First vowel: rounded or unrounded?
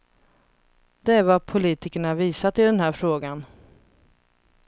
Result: unrounded